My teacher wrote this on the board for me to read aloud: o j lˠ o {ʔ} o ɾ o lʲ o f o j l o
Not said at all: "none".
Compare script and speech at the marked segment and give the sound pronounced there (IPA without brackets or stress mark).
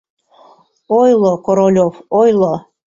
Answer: k